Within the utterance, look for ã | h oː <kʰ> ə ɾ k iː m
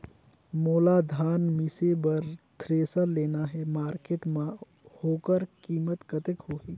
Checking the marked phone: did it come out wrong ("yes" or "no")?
yes